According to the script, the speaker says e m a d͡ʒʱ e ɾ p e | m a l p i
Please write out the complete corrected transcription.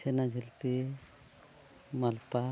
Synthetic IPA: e n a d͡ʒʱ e l p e | m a l p a